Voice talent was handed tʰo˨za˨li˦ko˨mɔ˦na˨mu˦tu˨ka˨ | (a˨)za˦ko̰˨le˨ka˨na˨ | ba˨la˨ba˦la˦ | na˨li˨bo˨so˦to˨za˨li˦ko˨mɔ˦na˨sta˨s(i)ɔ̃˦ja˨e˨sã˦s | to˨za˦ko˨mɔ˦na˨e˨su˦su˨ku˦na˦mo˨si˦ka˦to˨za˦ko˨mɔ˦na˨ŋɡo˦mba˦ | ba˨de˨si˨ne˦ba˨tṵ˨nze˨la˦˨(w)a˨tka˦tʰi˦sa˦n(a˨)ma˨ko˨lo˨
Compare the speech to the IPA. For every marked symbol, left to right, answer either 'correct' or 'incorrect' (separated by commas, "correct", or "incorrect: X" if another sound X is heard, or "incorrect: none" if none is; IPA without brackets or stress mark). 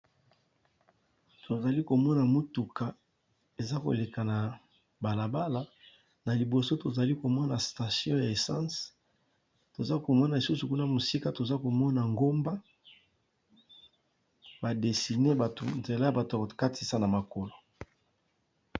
incorrect: e˨, incorrect: j, incorrect: b, correct